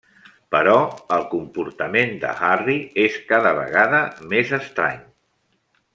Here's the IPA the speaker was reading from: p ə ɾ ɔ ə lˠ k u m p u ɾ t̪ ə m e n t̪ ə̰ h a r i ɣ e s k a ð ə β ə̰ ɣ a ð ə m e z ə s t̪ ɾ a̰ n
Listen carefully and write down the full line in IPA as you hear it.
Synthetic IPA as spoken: p ə ɾ ɔ ə lˠ k u m p u ɾ t̪ ə m e n d̪ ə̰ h a r i e s k a ð ə β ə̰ ɣ a ð ə m e z ə s t̪ ɾ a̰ ɲ